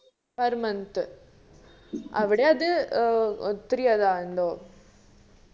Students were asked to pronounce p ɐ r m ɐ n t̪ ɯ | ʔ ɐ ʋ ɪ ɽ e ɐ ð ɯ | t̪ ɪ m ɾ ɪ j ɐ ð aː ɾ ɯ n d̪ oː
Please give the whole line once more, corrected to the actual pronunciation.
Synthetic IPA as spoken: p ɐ ɾ m ɐ n t̪ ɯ | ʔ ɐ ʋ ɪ ɽ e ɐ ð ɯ | t̪ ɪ ɾ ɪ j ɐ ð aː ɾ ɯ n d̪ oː